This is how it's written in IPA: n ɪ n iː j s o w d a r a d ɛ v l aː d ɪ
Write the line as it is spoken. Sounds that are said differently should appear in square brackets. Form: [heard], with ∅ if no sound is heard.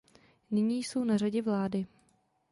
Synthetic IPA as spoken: n ɪ [ɲ] iː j s o w [n] a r a [ɟ] ɛ v l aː d ɪ